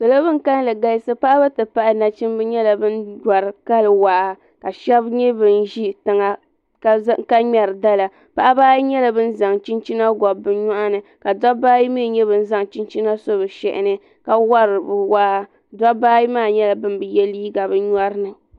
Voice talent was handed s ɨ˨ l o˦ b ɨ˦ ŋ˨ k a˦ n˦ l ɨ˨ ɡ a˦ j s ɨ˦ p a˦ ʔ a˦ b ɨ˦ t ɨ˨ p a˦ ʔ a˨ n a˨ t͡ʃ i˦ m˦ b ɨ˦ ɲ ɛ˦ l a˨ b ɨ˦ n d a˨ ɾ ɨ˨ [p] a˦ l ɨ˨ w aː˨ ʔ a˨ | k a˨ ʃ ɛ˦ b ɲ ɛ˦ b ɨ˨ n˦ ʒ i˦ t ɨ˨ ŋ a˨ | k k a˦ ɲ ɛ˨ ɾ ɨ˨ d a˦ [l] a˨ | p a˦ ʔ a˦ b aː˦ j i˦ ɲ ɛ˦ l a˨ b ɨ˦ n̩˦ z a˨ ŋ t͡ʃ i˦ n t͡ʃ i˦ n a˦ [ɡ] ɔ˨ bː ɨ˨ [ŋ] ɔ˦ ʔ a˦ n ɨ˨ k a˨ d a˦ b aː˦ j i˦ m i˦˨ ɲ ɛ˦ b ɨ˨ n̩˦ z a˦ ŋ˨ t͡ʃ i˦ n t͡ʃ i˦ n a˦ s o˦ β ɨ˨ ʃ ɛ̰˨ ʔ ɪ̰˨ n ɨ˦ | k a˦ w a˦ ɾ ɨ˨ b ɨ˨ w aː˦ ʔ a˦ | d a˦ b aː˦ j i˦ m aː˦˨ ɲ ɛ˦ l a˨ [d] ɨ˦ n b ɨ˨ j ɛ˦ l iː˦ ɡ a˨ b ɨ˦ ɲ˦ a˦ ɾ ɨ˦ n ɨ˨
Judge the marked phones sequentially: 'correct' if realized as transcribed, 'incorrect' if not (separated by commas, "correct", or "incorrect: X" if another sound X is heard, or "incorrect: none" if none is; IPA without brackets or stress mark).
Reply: incorrect: k, correct, correct, incorrect: ɲ, incorrect: b